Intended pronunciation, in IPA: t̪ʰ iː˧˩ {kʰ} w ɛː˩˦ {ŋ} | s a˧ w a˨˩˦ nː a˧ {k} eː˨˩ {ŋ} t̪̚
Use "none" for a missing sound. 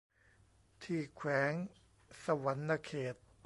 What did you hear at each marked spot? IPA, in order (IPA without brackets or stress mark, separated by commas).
kʰ, ŋ, kʰ, none